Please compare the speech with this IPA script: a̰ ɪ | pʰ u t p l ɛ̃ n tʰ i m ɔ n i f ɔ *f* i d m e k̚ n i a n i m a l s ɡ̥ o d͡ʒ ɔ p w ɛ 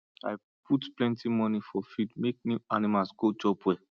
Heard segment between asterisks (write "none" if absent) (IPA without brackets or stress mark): f